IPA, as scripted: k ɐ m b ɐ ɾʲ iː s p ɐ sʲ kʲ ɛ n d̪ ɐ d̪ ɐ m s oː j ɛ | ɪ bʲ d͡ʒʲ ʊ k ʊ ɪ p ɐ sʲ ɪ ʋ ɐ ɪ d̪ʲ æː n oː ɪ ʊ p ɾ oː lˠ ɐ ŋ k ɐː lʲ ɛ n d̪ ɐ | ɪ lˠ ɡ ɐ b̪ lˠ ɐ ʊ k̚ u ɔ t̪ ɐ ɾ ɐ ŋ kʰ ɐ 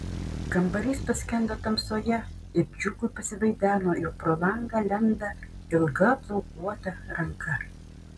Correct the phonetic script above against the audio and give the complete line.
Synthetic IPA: k ɐ m b ɐ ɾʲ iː s p ɐ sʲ kʲ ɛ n d̪ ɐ t̪ ɐ m s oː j ɛ | ɪ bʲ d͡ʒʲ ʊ k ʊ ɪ p ɐ sʲ ɪ ʋ ɐ ɪ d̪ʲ æː n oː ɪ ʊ p ɾ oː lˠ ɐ ŋ ɡ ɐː lʲ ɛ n d̪ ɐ | ɪ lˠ ɡ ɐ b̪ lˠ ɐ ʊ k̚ u ɔ t̪ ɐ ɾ ɐ ŋ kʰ ɐ